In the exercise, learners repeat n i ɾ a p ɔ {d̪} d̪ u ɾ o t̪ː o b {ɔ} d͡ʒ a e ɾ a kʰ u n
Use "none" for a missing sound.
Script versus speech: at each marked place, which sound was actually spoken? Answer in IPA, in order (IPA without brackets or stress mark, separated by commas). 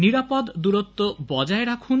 d̪, ɔ